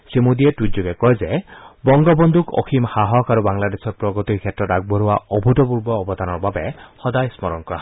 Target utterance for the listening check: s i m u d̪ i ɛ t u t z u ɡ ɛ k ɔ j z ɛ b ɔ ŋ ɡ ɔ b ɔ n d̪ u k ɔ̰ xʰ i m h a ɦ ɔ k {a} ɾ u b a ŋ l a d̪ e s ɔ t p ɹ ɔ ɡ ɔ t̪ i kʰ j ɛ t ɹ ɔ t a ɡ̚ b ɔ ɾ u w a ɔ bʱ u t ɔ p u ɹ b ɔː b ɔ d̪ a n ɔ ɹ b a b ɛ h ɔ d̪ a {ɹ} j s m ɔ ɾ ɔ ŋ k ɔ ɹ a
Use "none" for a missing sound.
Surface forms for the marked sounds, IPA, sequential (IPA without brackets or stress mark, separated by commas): a, none